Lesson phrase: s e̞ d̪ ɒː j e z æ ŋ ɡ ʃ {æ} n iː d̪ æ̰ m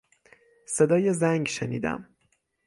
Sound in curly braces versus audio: incorrect: e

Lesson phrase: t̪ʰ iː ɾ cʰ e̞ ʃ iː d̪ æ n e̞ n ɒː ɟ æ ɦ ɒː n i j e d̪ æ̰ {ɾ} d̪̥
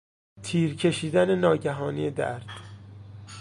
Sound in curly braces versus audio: correct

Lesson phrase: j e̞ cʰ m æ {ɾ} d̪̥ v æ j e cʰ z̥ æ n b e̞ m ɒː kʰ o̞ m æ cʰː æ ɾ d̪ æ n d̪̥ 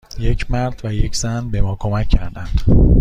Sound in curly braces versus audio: correct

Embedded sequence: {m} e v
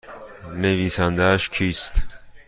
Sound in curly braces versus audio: incorrect: n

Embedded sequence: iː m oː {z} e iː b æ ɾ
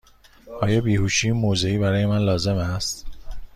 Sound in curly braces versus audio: correct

